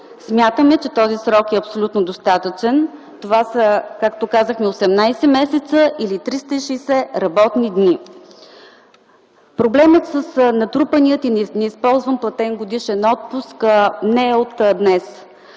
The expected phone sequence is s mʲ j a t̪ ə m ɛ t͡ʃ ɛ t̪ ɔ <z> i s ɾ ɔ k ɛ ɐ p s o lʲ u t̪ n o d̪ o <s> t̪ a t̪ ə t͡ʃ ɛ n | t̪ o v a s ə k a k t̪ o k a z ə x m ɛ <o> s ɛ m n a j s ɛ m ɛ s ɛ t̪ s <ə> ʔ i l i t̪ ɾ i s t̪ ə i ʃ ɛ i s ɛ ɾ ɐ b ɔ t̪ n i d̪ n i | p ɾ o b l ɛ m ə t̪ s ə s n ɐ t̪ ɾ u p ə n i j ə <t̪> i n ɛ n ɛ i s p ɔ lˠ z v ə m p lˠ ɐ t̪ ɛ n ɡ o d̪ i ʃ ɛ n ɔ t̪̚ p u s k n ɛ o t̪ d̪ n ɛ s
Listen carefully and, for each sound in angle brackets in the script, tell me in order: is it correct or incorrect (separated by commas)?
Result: correct, correct, correct, correct, correct